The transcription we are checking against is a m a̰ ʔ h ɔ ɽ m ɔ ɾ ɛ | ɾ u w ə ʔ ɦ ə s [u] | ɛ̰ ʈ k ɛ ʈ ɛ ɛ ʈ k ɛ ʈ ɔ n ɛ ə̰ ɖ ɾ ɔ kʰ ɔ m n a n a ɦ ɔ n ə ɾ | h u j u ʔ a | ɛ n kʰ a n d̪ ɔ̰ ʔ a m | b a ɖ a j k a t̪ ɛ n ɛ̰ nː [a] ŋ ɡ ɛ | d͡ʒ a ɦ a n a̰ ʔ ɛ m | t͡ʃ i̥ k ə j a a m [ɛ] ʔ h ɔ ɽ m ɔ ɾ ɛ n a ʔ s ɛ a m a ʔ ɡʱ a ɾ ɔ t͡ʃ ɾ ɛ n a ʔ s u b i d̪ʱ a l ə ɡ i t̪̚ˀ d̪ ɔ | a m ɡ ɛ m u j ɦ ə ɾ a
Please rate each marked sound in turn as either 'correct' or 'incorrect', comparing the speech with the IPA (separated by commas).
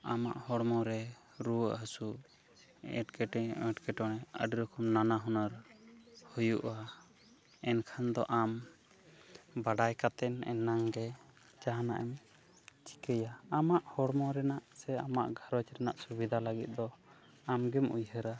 correct, correct, incorrect